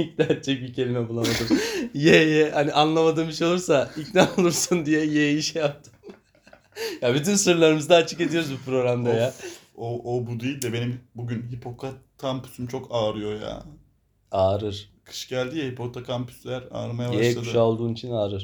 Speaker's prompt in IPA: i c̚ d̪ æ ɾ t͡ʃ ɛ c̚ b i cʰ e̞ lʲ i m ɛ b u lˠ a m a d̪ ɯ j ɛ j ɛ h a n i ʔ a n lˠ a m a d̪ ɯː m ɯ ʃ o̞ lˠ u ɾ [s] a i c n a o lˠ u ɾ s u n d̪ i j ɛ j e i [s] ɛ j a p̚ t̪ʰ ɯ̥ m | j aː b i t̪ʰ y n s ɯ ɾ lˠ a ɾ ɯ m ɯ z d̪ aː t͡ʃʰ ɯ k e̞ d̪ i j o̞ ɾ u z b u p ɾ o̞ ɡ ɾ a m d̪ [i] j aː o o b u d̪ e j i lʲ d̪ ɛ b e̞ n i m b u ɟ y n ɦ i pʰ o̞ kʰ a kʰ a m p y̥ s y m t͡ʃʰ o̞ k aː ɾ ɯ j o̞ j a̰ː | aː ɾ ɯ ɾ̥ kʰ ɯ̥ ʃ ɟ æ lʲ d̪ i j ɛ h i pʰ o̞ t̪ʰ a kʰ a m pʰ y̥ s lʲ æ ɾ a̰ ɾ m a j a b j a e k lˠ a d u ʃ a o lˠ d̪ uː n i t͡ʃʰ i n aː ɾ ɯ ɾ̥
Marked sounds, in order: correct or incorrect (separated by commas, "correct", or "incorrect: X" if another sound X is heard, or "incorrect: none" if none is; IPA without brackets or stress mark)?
correct, incorrect: ʃ, incorrect: a